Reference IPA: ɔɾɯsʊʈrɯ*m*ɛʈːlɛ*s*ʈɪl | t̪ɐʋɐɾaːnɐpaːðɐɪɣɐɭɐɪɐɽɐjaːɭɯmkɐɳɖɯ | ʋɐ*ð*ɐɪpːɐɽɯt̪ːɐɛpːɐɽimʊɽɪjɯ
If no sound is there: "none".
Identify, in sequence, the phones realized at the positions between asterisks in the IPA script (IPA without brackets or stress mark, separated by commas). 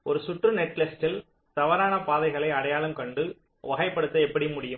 n, s, ɣ